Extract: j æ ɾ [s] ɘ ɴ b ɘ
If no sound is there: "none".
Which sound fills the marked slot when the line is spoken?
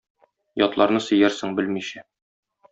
s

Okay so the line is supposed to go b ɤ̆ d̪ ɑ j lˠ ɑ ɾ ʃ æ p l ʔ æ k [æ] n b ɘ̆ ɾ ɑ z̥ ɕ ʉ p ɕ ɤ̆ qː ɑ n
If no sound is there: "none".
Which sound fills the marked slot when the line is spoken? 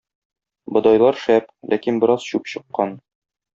i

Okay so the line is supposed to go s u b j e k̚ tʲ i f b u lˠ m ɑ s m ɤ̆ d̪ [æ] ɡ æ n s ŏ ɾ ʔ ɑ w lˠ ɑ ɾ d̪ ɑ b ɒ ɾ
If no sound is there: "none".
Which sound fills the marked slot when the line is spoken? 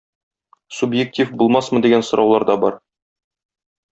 i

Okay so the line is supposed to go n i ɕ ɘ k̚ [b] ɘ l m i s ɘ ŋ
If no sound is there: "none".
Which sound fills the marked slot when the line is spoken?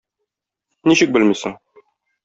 b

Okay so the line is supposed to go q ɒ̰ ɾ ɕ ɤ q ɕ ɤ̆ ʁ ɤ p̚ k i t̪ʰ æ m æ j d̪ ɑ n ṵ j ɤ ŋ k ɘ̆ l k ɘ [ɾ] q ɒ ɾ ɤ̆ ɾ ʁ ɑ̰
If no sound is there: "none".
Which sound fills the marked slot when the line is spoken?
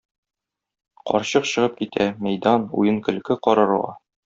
none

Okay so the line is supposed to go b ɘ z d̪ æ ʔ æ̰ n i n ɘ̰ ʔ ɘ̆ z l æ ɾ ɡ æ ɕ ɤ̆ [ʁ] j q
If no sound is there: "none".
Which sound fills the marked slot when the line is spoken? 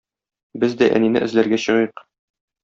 ʁ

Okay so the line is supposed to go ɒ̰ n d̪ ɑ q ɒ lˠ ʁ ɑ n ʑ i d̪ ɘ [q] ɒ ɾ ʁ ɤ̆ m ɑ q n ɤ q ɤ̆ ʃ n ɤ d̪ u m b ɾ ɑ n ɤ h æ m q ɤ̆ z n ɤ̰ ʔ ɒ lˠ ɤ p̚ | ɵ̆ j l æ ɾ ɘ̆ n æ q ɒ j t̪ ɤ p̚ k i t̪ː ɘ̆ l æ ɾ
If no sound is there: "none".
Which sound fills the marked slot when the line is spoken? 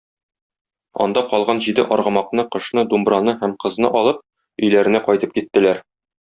ʔ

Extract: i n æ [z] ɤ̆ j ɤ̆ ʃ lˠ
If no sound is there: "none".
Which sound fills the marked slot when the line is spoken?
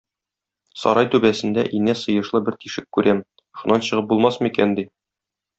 s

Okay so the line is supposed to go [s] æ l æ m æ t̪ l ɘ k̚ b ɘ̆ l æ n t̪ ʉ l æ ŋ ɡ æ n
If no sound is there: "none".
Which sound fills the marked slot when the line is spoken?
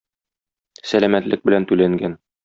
s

